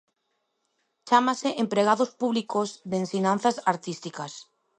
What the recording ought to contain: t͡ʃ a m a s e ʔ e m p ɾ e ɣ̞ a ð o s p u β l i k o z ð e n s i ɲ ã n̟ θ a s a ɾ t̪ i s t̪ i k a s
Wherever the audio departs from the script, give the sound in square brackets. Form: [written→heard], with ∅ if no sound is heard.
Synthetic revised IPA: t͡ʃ a m a s e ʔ e m p ɾ e ɣ̞ a ð o s p u β l i k o z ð e n s i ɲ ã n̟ θ a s a ɾ t̪ i s t̪ i k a s